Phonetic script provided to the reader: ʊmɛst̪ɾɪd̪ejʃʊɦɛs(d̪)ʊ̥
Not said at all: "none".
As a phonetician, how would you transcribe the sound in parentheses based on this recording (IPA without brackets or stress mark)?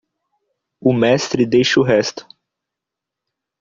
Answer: t̪